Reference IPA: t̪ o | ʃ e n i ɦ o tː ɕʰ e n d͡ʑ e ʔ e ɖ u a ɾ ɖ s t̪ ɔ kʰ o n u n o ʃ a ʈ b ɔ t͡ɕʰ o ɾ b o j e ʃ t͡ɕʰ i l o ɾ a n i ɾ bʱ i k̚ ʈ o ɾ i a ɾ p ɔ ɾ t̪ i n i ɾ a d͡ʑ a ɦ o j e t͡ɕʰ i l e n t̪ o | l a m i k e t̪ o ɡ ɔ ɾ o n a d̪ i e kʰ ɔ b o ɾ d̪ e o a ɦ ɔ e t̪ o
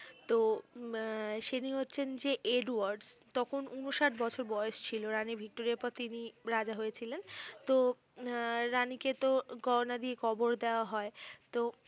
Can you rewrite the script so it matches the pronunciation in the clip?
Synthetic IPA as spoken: t̪ o | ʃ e n i ɦ o tː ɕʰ e n d͡ʑ e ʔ e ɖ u a ɾ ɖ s t̪ ɔ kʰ o n u n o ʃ a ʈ b ɔ t͡ɕʰ o ɾ b ɔ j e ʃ t͡ɕʰ i l o ɾ a n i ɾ bʱ i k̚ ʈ o ɾ i a ɾ p ɔ ɾ t̪ i n i ɾ a d͡ʑ a ɦ o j e t͡ɕʰ i l e n t̪ o | ɾ a n i k e t̪ o ɡ ɔ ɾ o n a d̪ i e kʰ ɔ b o ɾ d̪ e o a ɦ ɔ e t̪ o